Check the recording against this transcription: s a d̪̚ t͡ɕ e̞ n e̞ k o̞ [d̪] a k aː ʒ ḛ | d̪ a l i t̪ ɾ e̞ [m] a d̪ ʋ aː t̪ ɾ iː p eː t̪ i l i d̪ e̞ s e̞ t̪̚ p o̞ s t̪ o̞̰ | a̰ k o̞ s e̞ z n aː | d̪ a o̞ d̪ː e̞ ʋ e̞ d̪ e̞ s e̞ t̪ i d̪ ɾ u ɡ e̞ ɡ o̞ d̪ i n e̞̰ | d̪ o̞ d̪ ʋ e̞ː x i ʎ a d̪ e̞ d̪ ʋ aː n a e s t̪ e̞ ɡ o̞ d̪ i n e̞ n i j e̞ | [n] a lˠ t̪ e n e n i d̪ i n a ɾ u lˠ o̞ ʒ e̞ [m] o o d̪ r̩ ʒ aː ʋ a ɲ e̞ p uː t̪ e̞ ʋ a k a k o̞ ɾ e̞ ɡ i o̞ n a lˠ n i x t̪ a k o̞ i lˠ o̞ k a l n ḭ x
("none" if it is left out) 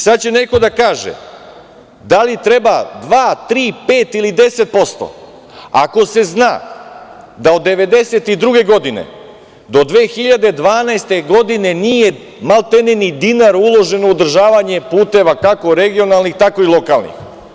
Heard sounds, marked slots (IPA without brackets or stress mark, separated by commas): d̪, b, m, n